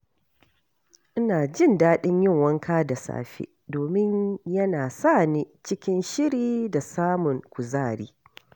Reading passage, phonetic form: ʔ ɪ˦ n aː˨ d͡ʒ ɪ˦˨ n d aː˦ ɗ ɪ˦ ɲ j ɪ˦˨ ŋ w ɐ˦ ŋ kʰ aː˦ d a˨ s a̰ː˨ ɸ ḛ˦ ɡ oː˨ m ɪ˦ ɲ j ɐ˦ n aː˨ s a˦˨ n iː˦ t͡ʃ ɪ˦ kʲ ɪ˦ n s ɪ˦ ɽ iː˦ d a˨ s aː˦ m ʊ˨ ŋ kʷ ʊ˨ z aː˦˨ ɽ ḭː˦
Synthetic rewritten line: ʔ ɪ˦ n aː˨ d͡ʒ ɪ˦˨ n d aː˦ ɗ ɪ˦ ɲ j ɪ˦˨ ŋ w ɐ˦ ŋ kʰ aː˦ d a˨ s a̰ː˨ ɸ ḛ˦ d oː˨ m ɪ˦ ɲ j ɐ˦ n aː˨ s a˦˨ n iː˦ t͡ʃ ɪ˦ kʲ ɪ˦ n ʃ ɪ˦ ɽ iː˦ d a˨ s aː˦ m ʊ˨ ŋ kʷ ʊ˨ z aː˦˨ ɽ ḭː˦